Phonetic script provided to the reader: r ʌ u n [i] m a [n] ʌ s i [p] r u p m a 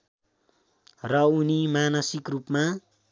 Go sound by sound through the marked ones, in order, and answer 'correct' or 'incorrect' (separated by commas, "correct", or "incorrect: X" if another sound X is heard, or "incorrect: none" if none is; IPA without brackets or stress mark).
correct, correct, incorrect: k